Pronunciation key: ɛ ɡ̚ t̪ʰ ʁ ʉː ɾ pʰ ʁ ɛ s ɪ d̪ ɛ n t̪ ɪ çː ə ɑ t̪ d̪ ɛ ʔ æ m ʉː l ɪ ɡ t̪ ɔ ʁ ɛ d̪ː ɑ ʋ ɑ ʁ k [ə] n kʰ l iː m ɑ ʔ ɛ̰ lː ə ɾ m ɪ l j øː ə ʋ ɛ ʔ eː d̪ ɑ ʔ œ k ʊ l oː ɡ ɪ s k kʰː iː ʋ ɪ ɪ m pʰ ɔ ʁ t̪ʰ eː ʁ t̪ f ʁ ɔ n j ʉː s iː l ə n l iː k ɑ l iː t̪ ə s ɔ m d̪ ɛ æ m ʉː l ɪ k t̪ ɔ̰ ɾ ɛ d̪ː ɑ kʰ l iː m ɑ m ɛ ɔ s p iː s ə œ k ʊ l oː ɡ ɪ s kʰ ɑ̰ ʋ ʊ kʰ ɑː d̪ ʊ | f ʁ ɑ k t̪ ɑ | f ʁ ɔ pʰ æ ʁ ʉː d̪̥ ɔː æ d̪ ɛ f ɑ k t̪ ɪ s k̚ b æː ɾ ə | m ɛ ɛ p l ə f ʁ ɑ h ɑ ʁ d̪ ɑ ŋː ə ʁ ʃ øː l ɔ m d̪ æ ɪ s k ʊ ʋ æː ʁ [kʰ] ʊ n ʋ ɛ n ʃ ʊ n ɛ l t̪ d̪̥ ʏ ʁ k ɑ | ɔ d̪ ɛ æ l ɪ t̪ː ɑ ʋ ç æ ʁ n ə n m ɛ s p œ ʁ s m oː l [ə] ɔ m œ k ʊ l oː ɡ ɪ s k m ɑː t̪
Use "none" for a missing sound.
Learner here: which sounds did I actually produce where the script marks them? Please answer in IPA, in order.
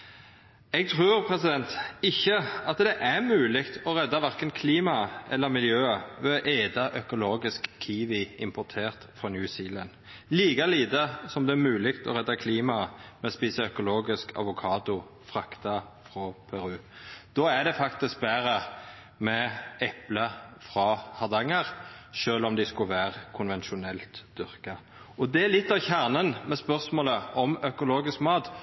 ə, kʰ, ə

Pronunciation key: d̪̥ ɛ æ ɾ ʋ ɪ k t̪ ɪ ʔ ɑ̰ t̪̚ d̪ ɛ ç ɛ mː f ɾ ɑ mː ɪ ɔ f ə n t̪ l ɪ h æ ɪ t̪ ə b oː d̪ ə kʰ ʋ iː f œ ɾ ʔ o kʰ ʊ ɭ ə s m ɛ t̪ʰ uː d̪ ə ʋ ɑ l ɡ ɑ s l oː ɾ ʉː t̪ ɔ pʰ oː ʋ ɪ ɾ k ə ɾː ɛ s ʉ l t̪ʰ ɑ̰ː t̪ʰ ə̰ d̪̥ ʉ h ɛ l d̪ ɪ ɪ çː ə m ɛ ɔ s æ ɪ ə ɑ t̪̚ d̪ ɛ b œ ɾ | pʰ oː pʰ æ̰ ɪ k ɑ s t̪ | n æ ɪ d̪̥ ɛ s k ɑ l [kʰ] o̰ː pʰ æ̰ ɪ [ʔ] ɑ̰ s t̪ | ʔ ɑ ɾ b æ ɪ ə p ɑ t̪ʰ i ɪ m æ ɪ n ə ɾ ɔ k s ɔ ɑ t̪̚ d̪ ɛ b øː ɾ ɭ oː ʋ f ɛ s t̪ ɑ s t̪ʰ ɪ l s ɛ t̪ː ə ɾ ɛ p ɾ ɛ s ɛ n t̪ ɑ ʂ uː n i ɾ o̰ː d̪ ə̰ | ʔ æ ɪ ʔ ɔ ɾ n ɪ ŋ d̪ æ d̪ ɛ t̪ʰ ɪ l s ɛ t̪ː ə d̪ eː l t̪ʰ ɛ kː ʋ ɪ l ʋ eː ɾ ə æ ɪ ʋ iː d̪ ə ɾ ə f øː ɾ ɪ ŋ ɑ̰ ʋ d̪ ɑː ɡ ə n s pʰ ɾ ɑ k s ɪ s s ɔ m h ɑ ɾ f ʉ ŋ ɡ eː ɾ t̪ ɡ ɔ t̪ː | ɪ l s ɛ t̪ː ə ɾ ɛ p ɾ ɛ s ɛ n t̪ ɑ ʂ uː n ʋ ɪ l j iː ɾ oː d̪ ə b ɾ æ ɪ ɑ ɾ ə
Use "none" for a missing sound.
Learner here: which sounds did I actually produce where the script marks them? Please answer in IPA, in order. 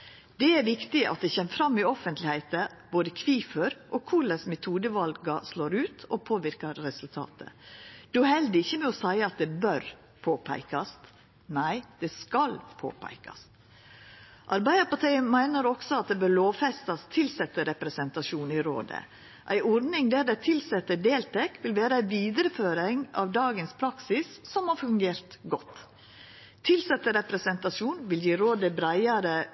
pʰ, k

